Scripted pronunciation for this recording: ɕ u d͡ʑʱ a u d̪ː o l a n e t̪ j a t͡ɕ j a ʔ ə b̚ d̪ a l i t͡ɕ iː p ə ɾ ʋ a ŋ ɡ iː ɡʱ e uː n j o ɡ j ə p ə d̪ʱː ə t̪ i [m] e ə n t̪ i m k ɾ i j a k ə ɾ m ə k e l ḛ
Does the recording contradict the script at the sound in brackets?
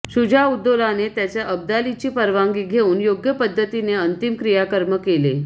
yes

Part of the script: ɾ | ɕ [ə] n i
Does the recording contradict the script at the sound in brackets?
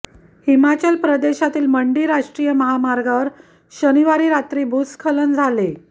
no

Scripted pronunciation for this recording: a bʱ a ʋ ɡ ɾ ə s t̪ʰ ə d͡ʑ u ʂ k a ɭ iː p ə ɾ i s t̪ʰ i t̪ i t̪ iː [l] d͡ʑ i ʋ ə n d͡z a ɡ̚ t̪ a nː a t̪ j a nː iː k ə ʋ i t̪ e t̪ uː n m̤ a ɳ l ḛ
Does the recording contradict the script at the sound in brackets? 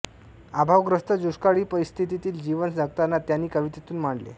no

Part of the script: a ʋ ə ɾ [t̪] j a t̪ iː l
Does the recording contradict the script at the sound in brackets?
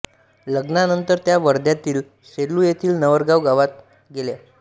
yes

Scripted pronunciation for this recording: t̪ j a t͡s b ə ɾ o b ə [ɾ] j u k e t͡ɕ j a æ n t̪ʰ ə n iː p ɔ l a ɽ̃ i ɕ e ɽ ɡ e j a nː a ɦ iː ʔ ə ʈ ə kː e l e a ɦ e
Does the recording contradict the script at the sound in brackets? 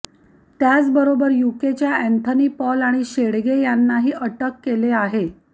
no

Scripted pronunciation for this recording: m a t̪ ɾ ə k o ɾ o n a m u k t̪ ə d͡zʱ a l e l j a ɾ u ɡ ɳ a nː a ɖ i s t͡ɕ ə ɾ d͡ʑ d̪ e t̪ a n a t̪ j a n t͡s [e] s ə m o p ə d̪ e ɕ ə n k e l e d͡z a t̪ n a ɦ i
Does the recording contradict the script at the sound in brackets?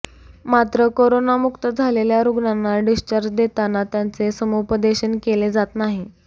no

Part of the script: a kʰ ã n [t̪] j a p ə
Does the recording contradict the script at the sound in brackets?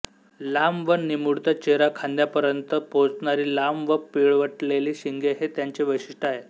yes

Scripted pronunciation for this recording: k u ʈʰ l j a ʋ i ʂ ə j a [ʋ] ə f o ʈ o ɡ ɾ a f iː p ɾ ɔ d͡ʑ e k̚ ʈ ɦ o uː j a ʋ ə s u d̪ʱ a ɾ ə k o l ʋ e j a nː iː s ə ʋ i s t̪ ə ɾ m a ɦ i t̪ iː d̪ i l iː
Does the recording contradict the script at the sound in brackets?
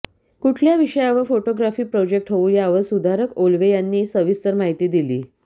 no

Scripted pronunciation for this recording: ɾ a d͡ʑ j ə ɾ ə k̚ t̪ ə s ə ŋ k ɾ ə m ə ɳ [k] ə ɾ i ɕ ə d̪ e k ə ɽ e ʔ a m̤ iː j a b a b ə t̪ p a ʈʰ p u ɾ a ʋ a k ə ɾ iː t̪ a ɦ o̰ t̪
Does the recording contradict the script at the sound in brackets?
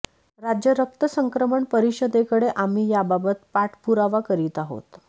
yes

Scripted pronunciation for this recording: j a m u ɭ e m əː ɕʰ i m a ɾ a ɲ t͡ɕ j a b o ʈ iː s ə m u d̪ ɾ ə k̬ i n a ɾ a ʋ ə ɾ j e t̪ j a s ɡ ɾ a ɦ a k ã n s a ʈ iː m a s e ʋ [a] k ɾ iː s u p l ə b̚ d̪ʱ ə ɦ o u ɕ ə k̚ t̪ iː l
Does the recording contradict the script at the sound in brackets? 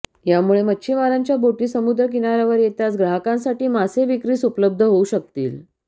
yes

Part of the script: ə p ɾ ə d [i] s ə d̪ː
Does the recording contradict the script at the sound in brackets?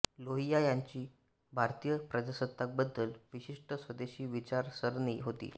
yes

